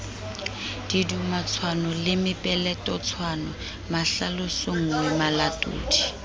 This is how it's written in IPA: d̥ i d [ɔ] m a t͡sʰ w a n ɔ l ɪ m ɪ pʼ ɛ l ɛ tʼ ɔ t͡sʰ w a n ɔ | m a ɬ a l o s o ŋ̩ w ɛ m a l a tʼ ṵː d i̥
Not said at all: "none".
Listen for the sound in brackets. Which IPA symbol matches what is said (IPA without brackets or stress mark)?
u